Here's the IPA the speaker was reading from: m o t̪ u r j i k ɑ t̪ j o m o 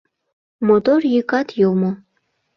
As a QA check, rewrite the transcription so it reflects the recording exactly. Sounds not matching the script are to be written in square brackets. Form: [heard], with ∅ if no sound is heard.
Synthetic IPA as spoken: m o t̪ [o] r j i k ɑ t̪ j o m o